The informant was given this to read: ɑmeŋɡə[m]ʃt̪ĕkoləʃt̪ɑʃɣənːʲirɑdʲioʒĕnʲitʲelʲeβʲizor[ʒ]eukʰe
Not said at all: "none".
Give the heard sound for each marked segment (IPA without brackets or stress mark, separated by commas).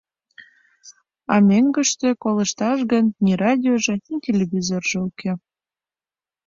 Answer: none, ʒ